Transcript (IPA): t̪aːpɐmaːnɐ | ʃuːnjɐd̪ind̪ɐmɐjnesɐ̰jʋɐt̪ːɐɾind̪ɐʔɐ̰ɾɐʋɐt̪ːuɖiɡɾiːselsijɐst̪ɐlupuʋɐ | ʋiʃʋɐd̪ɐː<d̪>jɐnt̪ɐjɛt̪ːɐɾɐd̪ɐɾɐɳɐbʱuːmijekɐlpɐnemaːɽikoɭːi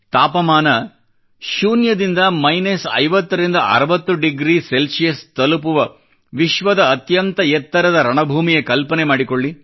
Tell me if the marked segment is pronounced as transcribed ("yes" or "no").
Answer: no